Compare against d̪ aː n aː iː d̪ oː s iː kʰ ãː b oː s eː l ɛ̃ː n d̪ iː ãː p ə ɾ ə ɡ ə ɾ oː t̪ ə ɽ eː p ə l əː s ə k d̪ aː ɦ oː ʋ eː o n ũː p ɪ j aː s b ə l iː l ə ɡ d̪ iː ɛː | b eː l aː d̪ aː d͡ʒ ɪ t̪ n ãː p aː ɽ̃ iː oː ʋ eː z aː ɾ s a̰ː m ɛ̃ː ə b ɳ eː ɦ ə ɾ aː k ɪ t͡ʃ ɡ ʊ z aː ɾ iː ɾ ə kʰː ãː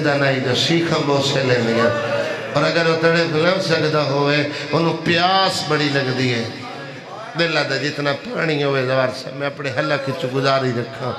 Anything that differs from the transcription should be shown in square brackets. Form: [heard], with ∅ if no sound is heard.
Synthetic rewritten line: d̪ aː n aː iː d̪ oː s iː kʰ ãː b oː s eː l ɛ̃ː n d̪ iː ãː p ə ɾ ə ɡ ə ɾ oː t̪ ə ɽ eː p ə l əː s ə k d̪ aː ɦ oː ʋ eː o n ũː p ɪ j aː s b ə [ɽ] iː l ə ɡ d̪ iː ɛː | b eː l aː d̪ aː d͡ʒ ɪ t̪ n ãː p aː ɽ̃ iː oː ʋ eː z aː ɾ s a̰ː m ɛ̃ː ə [p] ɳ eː ɦ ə [l] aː k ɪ t͡ʃ ɡ ʊ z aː ɾ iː ɾ ə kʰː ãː